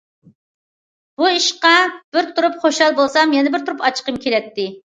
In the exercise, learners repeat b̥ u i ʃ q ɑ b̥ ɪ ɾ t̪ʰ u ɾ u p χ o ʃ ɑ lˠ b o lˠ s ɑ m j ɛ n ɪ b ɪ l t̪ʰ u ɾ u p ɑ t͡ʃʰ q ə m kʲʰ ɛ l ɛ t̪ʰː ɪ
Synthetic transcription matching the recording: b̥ u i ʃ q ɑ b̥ ɪ ɾ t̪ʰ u ɾ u p χ o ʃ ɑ lˠ b o lˠ s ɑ m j ɛ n ɪ b ɪ ɾ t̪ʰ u ɾ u p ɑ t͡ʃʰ q ə m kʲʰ e l ɛ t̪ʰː ɪ